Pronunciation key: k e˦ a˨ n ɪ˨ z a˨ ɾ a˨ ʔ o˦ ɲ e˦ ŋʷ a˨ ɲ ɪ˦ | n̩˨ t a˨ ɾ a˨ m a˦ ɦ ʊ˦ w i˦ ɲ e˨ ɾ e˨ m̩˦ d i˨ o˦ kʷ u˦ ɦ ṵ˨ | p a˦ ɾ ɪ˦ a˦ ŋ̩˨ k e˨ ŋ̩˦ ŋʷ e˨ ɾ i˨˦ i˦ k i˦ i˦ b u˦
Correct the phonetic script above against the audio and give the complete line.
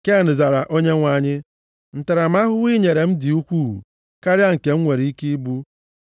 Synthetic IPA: k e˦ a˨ n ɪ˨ z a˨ ɾ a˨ ʔ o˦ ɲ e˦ ŋʷ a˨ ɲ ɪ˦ | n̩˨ t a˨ ɾ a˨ m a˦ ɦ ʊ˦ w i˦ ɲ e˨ ɾ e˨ m̩˦ d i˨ u˦ kʷ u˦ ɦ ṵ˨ | k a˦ ɾ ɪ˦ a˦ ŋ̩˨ k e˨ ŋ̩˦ ŋʷ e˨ ɾ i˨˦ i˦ k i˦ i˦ b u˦

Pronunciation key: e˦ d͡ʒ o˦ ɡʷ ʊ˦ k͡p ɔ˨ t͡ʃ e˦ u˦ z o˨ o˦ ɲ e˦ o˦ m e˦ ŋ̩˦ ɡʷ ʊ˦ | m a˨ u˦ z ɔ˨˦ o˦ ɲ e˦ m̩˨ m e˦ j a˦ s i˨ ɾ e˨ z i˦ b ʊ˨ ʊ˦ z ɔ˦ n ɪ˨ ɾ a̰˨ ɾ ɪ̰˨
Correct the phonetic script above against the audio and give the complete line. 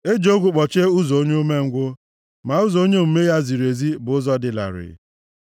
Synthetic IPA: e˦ d͡ʒ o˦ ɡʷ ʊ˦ k͡p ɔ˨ t͡ʃ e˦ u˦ z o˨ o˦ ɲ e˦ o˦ m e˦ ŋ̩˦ ɡʷ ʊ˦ | m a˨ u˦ z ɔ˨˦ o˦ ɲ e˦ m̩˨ m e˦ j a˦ z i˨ ɾ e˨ z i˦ b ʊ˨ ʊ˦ z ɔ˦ d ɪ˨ l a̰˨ ɾ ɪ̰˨

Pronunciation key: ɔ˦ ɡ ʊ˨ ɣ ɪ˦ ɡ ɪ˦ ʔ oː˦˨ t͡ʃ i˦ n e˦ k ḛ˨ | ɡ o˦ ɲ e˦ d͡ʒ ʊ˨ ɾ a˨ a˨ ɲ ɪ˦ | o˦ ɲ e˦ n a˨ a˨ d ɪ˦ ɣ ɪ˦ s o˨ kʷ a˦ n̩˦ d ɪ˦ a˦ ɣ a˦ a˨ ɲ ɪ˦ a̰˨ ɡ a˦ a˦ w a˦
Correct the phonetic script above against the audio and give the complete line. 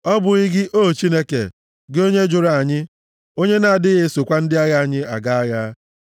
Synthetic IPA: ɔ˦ b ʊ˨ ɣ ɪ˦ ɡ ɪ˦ ʔ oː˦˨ t͡ʃ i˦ n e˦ k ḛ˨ | ɡ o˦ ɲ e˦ d͡ʒ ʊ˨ ɾ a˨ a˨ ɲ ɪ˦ | o˦ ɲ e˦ n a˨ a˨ d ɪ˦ ɣ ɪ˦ s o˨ kʷ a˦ n̩˦ d ɪ˦ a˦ ɣ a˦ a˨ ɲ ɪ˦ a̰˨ ɡ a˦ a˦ ɣ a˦

